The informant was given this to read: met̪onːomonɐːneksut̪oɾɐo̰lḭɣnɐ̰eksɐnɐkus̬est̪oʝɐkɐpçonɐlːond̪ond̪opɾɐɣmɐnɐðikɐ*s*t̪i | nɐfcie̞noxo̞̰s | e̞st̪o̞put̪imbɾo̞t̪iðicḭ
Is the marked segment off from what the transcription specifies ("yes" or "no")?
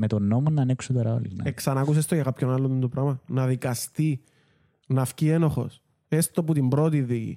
no